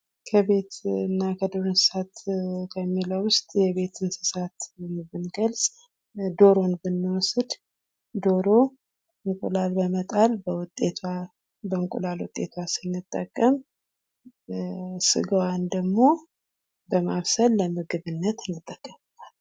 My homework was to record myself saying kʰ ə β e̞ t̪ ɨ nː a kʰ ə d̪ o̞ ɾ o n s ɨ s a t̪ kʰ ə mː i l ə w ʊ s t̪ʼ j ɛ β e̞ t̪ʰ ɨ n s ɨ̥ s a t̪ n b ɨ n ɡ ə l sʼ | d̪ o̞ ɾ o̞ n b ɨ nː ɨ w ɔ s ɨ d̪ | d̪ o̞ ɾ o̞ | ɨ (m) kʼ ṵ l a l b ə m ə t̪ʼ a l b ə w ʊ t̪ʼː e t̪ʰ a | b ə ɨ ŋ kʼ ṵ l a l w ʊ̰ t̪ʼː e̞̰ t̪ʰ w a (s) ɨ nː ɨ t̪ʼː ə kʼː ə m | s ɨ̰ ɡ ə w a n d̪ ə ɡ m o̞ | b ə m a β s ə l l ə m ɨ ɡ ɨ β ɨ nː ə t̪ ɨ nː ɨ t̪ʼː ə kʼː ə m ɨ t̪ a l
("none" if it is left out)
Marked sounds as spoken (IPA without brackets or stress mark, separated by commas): ŋ, s